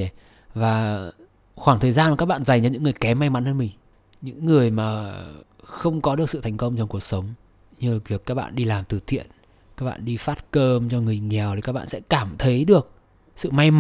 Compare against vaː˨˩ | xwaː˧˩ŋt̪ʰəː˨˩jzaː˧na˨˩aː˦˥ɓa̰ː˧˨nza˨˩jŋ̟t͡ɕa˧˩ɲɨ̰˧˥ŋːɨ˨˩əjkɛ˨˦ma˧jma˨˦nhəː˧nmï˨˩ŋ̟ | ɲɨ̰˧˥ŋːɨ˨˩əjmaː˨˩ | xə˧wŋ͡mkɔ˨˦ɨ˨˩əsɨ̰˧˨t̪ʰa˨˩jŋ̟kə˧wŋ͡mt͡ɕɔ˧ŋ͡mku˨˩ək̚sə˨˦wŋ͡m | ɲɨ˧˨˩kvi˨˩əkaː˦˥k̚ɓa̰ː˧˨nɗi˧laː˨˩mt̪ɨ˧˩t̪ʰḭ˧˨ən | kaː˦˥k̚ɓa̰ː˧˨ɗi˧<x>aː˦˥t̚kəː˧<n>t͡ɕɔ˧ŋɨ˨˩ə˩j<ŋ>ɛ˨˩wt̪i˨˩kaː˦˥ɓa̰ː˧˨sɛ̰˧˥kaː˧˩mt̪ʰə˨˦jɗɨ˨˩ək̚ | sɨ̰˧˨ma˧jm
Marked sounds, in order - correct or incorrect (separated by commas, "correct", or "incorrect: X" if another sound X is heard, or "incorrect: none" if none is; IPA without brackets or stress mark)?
incorrect: f, incorrect: m, correct